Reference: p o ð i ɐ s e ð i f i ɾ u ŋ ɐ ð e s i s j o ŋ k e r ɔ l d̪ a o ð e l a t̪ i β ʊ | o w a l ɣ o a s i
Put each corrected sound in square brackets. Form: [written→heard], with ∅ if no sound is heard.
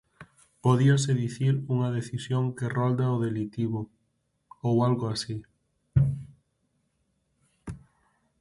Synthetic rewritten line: p o ð i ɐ s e ð i [f→θ] i ɾ u ŋ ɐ ð e [s→θ] i s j o ŋ k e r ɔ l d̪ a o ð e l [a→i] t̪ i β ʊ | o w a l ɣ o a s i